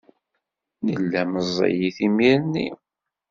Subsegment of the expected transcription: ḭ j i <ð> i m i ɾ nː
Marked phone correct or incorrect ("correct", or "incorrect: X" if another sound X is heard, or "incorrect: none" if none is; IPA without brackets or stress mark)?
incorrect: θ